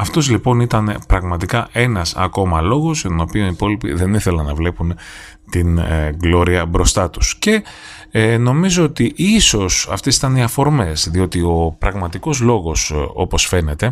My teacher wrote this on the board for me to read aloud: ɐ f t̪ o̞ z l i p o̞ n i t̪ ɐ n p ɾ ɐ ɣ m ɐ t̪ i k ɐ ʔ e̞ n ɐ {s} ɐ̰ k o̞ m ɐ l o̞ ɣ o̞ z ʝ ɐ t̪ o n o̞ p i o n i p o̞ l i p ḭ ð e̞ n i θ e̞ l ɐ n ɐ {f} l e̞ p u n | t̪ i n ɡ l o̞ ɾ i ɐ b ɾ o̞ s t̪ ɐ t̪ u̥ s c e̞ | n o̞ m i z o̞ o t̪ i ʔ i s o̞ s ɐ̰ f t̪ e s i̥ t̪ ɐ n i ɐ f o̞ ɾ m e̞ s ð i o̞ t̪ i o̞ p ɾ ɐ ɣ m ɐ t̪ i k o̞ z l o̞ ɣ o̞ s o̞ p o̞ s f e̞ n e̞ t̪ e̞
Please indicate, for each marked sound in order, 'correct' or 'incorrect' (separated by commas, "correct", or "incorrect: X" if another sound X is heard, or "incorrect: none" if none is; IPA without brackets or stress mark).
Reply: correct, incorrect: v